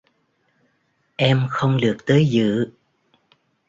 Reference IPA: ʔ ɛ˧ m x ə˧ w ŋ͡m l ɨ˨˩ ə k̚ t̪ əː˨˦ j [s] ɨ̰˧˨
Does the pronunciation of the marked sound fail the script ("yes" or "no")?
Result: yes